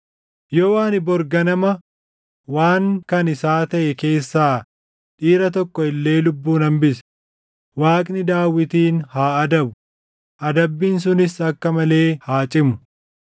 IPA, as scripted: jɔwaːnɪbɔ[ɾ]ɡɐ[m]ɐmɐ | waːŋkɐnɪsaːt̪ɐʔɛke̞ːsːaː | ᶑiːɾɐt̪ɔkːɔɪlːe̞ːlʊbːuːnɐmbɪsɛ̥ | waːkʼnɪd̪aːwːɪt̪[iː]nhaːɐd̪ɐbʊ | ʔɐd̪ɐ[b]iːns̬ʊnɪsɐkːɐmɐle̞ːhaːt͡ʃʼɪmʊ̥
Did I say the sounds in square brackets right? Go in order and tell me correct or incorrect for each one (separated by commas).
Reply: correct, incorrect, correct, incorrect